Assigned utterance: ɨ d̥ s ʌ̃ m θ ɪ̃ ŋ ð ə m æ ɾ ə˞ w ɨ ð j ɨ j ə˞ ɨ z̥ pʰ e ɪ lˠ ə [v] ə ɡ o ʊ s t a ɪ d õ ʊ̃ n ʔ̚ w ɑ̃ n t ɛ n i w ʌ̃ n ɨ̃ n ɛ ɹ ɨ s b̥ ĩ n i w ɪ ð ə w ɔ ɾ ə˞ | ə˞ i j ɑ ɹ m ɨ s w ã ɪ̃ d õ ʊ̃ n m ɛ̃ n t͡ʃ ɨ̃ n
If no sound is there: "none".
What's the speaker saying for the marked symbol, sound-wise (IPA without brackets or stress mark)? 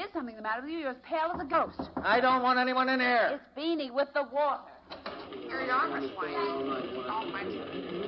z